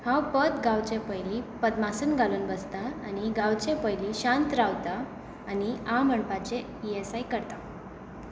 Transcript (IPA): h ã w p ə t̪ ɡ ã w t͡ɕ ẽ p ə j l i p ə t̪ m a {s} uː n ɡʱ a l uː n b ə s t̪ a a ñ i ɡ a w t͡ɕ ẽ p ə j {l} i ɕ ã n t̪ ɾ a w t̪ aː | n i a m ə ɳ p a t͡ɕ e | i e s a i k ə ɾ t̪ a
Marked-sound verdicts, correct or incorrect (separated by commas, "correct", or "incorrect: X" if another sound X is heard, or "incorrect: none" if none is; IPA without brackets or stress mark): correct, correct